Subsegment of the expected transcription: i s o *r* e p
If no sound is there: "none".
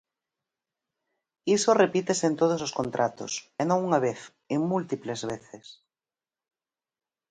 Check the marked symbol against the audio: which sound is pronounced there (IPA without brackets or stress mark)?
r